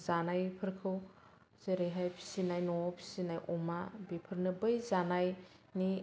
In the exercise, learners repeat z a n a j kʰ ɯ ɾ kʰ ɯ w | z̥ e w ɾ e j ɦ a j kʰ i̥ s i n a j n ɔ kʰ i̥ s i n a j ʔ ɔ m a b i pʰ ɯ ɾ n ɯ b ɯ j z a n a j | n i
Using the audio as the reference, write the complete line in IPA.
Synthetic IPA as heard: z a n a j pʰ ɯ ɾ kʰ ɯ w | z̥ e ɾ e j ɦ a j pʰ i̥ s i n a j n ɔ pʰ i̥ s i n a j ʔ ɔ m a b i pʰ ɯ ɾ n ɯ b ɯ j z a n a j | n i